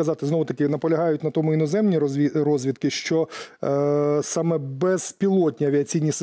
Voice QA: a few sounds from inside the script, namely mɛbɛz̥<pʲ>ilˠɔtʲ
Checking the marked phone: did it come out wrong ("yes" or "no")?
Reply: no